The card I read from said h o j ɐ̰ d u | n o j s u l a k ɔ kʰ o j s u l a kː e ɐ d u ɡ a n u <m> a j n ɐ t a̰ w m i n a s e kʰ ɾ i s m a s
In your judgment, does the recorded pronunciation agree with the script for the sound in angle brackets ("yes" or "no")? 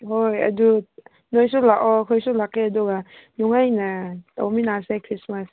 no